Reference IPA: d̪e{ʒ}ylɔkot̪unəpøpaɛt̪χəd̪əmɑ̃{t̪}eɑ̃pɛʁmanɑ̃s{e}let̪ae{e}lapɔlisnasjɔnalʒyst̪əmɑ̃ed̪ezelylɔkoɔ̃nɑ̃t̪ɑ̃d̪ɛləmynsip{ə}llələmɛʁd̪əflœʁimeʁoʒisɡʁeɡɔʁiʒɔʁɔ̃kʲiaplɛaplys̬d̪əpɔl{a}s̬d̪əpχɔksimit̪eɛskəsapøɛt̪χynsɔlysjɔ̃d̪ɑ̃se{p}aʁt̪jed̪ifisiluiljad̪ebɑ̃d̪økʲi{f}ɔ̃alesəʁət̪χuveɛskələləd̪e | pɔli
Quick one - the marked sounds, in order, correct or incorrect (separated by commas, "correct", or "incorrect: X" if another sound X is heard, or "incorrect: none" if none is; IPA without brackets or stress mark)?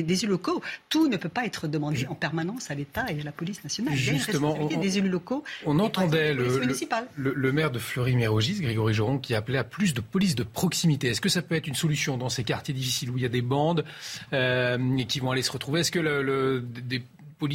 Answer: incorrect: z, incorrect: d̪, incorrect: a, incorrect: a, incorrect: a, incorrect: i, incorrect: k, incorrect: v